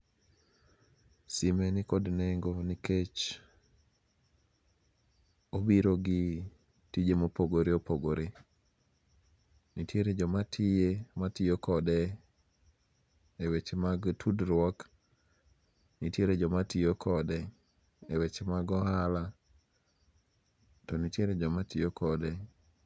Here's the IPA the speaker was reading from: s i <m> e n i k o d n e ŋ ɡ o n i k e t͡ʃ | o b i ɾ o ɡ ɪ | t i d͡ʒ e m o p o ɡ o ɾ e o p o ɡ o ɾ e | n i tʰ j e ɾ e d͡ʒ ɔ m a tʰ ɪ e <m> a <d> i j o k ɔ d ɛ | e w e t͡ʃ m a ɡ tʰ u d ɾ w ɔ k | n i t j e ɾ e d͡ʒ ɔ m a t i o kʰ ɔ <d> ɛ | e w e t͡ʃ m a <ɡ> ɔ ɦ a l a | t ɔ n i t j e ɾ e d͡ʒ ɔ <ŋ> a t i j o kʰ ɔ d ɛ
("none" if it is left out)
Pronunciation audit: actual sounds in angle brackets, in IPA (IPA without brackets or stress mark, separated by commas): m, m, t, d, ɡ, m